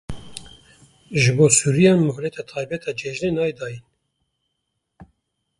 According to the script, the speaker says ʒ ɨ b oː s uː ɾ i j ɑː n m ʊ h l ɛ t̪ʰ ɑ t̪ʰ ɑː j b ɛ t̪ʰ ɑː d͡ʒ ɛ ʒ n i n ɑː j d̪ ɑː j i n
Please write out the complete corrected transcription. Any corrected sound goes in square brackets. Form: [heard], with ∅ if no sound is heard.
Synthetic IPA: ʒ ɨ b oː s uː ɾ i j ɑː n m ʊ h l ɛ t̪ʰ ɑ t̪ʰ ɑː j b ɛ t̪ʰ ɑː d͡ʒ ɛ ʒ n [e] n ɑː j d̪ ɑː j i n